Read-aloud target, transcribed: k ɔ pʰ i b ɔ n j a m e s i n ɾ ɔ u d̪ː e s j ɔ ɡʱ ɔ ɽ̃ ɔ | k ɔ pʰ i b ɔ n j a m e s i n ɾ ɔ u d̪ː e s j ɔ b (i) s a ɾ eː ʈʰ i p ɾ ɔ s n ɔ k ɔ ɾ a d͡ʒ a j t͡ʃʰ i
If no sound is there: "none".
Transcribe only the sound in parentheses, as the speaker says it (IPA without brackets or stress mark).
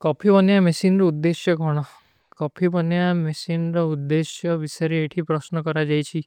i